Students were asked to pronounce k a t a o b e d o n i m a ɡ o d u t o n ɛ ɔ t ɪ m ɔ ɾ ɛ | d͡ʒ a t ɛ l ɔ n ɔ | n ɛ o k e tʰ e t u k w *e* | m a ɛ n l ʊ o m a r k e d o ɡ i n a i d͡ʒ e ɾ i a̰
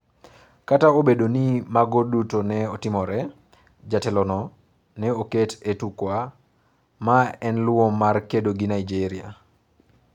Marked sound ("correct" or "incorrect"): incorrect